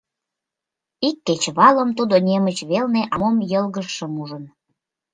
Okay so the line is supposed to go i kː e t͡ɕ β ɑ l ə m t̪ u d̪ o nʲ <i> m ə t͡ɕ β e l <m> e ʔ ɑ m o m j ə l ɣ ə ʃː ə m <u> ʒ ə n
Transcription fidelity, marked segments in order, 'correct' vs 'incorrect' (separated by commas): incorrect, incorrect, correct